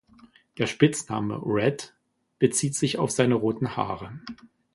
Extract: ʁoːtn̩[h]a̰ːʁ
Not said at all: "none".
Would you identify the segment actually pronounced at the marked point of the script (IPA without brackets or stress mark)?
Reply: h